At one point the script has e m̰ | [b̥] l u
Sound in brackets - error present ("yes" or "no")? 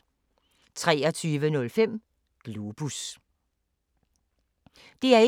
yes